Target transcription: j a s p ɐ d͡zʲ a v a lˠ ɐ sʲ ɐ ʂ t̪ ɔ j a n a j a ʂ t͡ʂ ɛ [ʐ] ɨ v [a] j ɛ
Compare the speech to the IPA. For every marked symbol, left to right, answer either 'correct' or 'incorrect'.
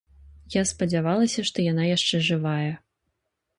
correct, correct

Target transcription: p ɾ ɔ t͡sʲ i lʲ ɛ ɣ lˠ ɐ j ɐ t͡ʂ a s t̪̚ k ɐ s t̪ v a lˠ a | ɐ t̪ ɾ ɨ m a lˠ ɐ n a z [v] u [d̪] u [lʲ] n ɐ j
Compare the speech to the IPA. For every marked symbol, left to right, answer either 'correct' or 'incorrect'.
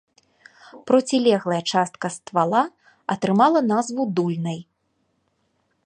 correct, correct, correct

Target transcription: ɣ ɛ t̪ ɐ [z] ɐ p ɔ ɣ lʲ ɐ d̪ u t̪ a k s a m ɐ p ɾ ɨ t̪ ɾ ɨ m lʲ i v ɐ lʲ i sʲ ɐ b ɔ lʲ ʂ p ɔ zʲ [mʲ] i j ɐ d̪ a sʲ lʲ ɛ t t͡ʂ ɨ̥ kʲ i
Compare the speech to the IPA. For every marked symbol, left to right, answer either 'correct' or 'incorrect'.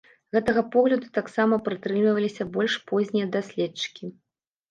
incorrect, incorrect

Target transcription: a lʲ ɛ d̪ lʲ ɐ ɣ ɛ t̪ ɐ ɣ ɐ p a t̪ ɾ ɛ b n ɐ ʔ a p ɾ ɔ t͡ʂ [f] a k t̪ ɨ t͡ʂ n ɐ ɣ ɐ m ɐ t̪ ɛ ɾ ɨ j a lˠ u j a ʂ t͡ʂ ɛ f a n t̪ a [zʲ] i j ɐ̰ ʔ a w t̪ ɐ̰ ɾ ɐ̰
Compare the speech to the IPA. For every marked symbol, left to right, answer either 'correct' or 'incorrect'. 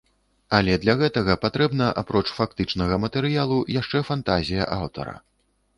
correct, correct

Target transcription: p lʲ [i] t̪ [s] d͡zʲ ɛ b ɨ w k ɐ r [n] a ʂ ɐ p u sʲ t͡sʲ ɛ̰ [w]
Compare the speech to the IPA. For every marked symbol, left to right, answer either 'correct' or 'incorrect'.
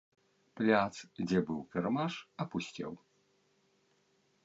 incorrect, correct, incorrect, correct

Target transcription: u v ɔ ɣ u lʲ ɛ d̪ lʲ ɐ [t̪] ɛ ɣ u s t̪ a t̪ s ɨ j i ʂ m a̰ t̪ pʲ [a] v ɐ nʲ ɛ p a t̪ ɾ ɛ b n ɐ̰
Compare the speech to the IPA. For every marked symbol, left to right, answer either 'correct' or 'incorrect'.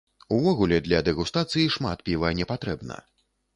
incorrect, incorrect

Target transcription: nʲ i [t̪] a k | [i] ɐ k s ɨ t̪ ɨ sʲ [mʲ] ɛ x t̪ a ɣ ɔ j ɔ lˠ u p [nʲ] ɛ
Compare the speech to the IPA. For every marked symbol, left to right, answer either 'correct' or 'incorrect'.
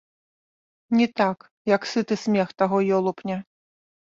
correct, incorrect, correct, correct

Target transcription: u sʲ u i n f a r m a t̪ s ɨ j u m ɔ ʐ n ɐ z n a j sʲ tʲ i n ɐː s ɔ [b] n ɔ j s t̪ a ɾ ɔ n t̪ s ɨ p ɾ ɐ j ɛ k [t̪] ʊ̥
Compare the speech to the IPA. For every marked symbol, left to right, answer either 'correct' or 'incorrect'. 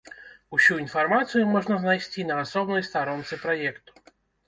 correct, correct

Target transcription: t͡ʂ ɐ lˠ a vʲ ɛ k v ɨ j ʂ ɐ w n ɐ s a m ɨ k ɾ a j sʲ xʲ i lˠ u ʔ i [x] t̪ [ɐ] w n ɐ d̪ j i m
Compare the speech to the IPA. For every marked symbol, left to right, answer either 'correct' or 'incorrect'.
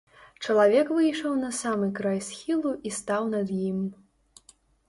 incorrect, incorrect

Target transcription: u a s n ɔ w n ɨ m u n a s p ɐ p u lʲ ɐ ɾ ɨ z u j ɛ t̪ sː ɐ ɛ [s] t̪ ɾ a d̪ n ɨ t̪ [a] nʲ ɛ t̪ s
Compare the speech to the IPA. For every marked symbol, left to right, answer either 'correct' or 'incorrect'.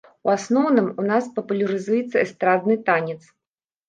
correct, correct

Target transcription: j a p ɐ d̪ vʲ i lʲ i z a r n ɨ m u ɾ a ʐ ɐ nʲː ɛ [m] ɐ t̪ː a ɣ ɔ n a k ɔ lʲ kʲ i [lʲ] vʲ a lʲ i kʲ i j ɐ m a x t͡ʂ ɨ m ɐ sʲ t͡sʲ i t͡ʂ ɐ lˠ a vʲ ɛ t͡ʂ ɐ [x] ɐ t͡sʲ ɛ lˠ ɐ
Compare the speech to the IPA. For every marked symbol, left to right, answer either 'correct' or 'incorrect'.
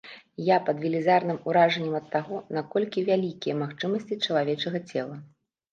correct, incorrect, incorrect

